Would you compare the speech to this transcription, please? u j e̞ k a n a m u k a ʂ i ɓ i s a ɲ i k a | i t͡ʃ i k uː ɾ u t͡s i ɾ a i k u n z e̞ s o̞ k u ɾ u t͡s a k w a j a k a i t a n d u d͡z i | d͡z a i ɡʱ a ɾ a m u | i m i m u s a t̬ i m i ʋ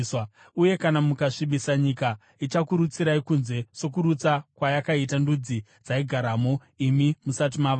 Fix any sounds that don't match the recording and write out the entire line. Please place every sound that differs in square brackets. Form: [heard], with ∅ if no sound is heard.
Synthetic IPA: u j e̞ k a n a m u k a ʂ i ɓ i s a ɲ i k a | i t͡ʃ [a] k [u] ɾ u t͡s i ɾ a i k u n z e̞ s o̞ k u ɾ u t͡s a k w a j a k a i t a n d u d͡z i | d͡z a i ɡʱ a ɾ a m [o] | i m i m u s a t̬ i m [a] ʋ